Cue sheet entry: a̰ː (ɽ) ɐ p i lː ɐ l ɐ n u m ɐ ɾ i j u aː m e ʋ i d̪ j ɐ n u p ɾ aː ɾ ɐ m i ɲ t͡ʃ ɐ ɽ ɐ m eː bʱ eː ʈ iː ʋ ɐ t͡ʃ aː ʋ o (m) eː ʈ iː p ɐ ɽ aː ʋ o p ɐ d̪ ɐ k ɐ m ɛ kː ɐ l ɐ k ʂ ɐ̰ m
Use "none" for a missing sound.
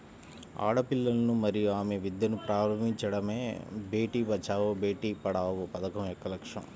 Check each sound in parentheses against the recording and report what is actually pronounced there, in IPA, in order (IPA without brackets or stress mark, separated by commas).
ɽ, b